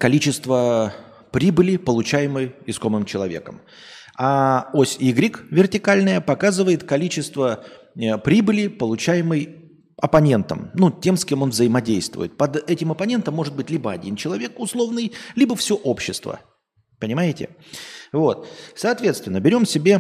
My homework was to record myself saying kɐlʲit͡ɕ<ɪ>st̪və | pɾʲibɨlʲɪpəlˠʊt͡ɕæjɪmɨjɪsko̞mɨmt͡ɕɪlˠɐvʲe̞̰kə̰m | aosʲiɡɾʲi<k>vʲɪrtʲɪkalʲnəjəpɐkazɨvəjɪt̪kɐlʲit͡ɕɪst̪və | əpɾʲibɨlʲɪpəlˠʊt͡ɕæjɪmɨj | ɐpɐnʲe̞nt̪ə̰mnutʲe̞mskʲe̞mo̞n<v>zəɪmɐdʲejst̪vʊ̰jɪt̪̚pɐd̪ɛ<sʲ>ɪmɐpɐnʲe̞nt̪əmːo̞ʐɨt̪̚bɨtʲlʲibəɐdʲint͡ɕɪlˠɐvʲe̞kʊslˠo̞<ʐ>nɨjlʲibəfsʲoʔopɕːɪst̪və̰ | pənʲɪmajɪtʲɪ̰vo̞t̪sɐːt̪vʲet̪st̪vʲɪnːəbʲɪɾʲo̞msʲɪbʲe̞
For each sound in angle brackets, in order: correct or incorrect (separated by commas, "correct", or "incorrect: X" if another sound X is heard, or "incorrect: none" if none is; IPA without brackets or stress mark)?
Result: correct, correct, correct, incorrect: tʲ, incorrect: v